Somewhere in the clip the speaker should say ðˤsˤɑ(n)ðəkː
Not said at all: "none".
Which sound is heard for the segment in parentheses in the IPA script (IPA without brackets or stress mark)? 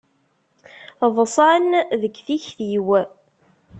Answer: n